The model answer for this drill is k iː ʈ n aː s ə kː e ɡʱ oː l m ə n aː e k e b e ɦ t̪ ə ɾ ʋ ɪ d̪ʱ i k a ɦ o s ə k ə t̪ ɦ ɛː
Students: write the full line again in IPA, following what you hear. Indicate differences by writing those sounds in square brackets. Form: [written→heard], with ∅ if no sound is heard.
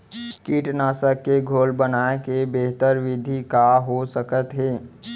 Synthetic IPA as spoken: k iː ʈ n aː s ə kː e ɡʱ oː l [m→b] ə n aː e k e b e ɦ t̪ ə ɾ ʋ ɪ d̪ʱ i k a ɦ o s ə k ə t̪ ɦ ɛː